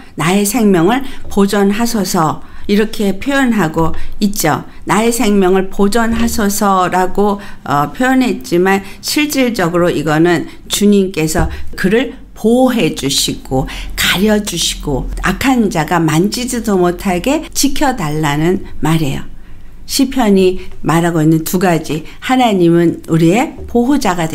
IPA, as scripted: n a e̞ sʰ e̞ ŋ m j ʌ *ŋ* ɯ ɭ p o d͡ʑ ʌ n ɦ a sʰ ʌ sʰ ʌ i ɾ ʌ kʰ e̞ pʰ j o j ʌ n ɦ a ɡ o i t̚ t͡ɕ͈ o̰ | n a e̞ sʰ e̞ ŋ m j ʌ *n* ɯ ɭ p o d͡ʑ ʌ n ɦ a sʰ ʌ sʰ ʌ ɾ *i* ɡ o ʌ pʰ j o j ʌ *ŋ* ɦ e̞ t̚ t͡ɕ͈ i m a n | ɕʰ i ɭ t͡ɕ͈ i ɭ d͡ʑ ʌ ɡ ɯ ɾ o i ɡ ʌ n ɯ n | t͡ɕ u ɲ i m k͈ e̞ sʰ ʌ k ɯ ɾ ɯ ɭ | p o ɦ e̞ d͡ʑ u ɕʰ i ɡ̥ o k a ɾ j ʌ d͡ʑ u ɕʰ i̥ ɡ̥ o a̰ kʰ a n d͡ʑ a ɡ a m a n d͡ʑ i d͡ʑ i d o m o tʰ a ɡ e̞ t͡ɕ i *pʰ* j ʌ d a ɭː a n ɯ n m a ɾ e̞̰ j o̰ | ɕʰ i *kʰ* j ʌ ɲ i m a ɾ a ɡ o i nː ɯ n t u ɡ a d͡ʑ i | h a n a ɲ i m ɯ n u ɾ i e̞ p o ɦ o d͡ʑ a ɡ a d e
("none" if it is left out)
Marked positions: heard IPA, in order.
ŋ, ŋ, a, n, kʰ, pʰ

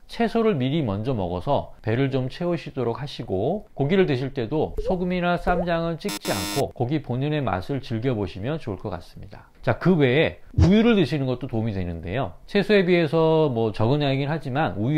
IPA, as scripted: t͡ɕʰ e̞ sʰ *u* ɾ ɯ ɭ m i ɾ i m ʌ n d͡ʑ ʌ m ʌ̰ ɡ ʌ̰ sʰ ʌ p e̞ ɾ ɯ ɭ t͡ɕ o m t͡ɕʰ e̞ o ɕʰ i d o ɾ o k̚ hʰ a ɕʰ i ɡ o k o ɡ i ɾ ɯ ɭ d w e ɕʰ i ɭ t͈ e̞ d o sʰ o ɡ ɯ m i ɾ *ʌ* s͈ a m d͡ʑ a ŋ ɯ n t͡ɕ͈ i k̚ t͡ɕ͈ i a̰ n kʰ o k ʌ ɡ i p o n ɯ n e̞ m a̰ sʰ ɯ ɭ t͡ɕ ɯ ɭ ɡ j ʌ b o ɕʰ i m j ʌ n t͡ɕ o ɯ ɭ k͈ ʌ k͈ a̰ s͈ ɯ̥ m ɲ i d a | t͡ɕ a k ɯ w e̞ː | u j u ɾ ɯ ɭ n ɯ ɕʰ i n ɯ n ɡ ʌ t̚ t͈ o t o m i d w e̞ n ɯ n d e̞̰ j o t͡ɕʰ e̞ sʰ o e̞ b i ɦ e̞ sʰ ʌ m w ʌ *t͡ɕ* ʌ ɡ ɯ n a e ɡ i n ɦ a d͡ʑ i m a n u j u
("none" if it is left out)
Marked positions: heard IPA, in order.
o, a, t͡ɕ

